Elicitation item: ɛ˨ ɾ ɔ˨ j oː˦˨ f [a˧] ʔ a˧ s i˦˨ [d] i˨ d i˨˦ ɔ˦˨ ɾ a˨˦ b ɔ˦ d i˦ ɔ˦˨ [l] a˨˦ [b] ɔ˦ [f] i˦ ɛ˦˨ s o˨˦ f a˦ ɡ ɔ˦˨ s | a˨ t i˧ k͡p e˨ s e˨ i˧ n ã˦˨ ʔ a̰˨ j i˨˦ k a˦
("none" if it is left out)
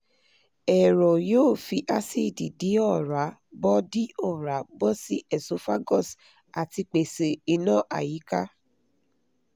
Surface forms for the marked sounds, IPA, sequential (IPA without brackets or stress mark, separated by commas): i˧, d, ɾ, b, s